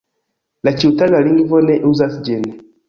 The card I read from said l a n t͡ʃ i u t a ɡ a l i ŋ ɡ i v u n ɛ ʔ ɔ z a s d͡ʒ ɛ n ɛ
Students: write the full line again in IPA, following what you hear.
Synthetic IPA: l a t͡ʃ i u t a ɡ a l i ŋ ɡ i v ɔ n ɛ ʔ u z a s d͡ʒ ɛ n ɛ